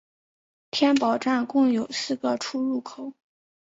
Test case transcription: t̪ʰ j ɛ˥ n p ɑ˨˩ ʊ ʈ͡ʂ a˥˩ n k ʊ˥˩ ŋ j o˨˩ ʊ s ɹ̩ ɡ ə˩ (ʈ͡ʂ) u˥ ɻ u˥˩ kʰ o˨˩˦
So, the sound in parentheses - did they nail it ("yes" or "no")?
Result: no